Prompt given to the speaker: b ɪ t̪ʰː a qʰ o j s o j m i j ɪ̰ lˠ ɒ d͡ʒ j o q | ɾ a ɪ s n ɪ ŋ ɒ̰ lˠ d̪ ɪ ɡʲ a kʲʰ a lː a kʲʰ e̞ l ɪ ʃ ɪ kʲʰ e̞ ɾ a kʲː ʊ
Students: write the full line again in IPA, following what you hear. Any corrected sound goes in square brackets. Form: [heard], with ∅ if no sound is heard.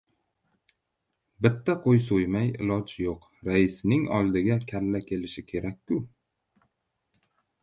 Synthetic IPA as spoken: b ɪ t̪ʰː a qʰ o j s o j m [a] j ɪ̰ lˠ ɒ d͡ʒ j o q | ɾ a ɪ s n ɪ ŋ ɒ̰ lˠ d̪ ɪ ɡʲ a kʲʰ a lː a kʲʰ e̞ l ɪ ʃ ɪ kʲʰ e̞ ɾ a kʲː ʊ